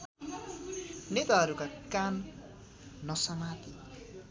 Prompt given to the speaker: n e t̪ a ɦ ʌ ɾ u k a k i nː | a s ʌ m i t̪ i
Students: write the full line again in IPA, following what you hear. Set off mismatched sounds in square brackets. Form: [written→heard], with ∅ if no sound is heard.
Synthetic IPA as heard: n e t̪ a ɦ ʌ ɾ u k a k [i→a] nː | [a→ʌ] s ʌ m [i→a] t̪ i